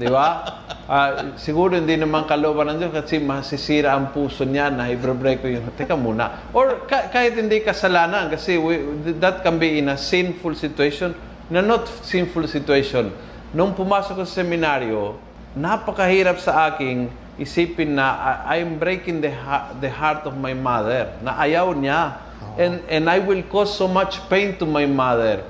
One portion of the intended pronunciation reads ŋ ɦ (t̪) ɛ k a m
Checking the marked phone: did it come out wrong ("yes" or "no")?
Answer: no